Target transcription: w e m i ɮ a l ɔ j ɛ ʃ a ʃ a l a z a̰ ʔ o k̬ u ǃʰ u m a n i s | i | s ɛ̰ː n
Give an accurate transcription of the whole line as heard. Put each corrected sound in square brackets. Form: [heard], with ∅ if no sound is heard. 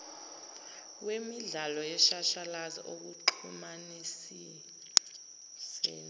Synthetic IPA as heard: w e m i ɮ a l ɔ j ɛ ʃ a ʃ a l a z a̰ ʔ o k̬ u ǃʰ u m a n i s | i | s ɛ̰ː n

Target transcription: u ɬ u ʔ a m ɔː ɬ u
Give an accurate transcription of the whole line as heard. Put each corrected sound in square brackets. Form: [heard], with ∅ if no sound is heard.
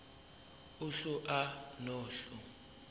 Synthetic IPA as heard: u ɬ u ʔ a [n] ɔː ɬ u

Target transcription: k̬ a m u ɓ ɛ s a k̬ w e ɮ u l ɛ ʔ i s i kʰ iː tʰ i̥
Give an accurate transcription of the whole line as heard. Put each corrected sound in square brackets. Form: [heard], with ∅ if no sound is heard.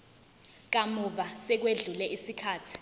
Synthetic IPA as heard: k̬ a m u ɓ [a] s [ɛ] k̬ w e ɮ u l ɛ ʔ i s i kʰ [aː] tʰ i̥

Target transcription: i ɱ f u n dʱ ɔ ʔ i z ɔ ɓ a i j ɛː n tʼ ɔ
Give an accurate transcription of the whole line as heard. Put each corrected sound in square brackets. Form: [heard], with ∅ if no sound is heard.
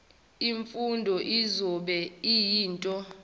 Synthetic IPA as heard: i ɱ f u n dʱ ɔ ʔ i z ɔ ɓ [ɛ] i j [iː] n tʼ ɔ

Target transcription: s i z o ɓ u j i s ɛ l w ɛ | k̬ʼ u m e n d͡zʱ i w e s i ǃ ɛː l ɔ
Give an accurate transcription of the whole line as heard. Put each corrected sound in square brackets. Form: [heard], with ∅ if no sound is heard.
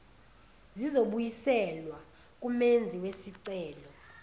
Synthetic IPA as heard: [z] i z o ɓ u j i s ɛ l w [a] | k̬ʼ u m e n d͡zʱ i w e s i [ǀ] ɛː l ɔ

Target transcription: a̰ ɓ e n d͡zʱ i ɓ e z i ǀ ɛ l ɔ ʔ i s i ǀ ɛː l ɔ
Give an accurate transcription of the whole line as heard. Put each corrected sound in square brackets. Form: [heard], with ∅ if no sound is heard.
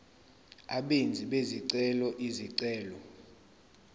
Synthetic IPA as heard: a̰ ɓ e n d͡zʱ i ɓ e z i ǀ ɛ l ɔ ʔ i [z] i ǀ ɛː l ɔ

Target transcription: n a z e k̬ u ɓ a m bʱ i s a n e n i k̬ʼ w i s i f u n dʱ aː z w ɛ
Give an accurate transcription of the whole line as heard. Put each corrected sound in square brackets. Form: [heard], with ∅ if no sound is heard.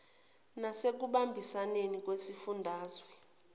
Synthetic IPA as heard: n a [s] e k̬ u ɓ a m bʱ i s a n e n i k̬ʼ w [e] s i f u n dʱ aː z w ɛ

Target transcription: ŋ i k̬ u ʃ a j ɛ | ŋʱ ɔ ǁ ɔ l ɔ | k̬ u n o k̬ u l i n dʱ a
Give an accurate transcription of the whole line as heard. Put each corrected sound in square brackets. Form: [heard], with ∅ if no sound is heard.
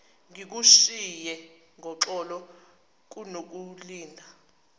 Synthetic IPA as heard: ŋ i k̬ u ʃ [i] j ɛ | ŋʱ ɔ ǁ ɔ l ɔ | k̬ u n o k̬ u l [iː] n dʱ a

